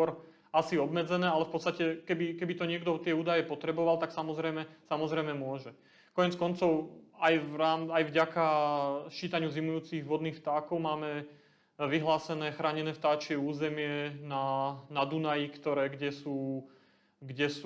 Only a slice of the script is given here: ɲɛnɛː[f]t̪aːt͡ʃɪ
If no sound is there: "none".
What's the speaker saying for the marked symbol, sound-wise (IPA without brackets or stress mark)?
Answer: f